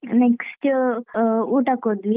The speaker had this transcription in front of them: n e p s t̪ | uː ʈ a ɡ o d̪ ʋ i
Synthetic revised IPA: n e k s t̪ | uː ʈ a k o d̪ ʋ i

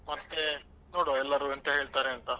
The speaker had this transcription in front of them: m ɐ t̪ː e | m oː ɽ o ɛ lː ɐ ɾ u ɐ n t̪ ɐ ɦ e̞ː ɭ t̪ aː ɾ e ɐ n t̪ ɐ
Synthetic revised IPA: m ɐ t̪ː e | n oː ɽ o ɛ lː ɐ ɾ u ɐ n t̪ ɐ ɦ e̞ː ɭ t̪ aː ɾ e ɐ n t̪ ɐ

